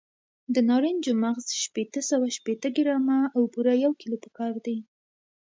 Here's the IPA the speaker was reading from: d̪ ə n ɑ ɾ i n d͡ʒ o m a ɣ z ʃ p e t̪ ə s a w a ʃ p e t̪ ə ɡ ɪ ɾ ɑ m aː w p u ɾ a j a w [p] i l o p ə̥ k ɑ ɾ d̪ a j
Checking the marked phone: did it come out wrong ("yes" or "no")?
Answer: yes